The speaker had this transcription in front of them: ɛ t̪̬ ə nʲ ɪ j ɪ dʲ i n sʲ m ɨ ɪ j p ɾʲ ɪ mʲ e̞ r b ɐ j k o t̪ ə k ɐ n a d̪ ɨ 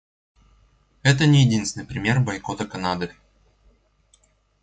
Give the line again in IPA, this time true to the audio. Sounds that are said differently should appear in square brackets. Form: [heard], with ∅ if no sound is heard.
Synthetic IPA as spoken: ɛ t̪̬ ə nʲ ɪ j ɪ dʲ i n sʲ [n] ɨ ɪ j p ɾʲ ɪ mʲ e̞ r b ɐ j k o t̪ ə k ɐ n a d̪ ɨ